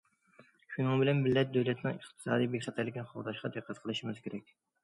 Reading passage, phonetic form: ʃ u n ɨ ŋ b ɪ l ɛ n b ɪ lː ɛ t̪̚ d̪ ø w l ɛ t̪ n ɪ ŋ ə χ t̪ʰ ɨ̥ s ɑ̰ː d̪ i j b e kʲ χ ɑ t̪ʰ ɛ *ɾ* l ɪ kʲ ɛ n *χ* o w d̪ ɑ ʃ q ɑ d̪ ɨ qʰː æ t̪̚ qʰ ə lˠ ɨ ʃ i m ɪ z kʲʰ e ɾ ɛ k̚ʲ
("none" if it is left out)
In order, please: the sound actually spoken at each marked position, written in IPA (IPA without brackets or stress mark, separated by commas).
ɾ, χ